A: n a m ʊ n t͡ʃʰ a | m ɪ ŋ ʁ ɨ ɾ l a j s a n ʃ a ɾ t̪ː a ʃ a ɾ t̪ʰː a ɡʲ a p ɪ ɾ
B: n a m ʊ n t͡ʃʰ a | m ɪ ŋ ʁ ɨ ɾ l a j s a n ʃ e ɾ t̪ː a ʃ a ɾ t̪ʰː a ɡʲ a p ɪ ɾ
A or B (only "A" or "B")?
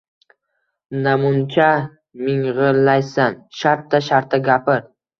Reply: A